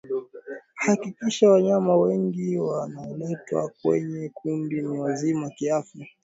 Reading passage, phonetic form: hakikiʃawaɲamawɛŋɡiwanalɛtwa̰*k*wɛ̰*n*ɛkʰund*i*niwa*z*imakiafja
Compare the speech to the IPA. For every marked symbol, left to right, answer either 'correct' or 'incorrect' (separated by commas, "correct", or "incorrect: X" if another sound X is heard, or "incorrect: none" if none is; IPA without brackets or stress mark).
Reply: correct, incorrect: ɲ, correct, correct